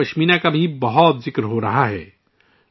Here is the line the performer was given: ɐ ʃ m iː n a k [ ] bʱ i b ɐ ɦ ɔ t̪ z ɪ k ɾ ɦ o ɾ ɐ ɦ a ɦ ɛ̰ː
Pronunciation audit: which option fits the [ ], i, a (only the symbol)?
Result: a